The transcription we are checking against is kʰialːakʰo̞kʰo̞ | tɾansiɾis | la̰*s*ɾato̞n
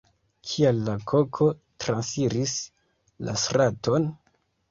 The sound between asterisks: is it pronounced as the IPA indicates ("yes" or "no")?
yes